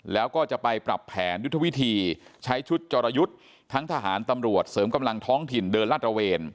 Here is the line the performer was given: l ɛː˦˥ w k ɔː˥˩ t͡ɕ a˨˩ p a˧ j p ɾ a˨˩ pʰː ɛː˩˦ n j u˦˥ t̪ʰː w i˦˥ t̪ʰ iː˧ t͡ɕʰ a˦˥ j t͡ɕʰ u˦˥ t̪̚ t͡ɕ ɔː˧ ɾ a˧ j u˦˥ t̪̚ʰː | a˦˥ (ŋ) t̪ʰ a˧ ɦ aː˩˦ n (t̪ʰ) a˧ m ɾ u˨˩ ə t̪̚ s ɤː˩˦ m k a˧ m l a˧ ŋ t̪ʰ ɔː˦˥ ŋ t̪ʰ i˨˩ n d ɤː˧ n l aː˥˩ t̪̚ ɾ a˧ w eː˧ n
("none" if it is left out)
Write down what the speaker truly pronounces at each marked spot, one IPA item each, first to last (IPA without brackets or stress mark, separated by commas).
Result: ŋ, t̪